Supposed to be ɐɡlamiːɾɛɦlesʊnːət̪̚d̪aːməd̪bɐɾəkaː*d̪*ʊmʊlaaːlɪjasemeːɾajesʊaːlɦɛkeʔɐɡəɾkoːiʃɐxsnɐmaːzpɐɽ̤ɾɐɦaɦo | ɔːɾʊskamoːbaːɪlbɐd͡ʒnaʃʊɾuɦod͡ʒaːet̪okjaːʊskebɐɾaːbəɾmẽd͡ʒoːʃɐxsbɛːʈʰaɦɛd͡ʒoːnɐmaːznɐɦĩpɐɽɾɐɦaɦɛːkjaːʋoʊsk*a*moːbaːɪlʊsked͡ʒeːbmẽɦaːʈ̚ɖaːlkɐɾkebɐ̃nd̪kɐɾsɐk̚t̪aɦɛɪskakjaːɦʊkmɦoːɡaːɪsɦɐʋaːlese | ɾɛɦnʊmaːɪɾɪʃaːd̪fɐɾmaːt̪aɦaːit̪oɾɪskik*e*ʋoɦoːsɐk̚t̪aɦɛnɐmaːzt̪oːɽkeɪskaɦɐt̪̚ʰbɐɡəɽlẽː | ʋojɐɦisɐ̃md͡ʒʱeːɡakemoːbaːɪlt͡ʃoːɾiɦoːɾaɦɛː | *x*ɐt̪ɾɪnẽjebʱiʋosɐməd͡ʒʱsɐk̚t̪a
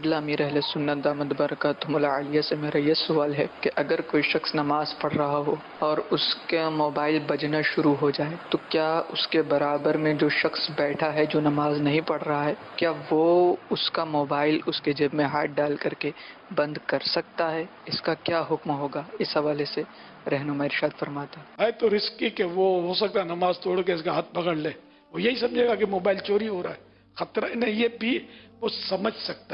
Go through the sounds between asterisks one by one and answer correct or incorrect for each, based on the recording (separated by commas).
incorrect, correct, correct, correct